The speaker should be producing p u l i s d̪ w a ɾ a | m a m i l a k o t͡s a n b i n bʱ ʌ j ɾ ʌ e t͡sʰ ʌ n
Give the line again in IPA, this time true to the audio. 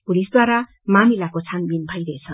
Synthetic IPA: p u l i s d̪ w a ɾ a | m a m i l a k o t͡sʰ a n b i n bʱ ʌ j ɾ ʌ e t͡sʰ ʌ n